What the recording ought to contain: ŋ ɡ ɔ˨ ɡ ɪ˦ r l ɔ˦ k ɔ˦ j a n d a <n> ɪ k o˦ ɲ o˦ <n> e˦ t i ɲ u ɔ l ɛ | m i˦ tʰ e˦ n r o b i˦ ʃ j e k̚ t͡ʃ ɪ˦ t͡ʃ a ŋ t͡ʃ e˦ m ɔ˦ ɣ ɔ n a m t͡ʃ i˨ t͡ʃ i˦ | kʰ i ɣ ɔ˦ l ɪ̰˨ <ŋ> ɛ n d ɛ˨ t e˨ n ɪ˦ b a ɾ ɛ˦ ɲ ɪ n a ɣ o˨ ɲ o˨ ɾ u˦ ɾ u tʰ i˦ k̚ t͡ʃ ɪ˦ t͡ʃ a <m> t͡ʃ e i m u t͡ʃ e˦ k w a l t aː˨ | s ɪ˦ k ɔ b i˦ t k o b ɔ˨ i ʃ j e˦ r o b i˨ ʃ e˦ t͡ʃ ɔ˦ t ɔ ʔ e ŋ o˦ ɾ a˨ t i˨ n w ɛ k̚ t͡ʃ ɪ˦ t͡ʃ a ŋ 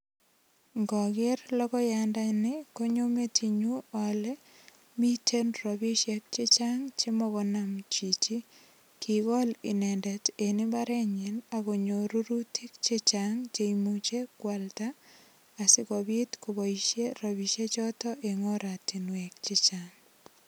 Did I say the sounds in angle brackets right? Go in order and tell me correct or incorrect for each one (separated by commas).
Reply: correct, incorrect, incorrect, incorrect